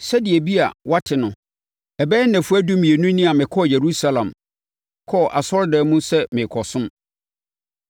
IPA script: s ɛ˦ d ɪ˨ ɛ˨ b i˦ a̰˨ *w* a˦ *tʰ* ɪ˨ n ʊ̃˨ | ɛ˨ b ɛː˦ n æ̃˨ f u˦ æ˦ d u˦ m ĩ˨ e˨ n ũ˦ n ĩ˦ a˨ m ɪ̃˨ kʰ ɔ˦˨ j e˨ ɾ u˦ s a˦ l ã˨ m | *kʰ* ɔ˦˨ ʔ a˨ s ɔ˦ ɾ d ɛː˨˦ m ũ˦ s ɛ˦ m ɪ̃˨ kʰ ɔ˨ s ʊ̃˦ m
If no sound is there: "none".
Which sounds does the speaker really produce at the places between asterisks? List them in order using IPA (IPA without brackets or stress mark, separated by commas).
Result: w, tʰ, kʰ